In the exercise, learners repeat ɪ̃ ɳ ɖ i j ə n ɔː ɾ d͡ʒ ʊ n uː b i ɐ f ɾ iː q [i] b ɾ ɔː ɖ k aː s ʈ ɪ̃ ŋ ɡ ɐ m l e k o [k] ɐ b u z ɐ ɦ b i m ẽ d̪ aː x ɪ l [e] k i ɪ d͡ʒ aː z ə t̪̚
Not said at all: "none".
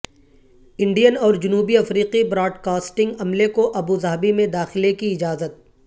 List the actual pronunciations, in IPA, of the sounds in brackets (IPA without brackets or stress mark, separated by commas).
i, ʔ, e